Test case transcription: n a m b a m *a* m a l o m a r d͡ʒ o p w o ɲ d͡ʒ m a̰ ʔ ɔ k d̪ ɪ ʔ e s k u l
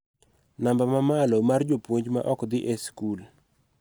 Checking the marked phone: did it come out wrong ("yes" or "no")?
no